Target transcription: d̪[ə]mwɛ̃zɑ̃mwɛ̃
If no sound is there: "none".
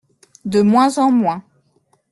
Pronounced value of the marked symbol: ə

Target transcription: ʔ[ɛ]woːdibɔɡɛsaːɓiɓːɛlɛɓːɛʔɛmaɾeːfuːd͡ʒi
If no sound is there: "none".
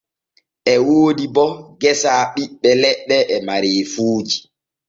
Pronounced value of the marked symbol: ɛ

